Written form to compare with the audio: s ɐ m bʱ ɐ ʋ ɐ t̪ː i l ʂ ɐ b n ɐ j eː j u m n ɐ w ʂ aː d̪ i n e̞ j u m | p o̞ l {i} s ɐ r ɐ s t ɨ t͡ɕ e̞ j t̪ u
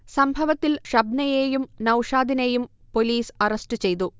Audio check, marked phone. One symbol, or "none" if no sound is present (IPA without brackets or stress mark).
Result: iː